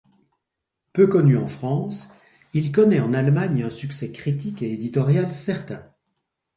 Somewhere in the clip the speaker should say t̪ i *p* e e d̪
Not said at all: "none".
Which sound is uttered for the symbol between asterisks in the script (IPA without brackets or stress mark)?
k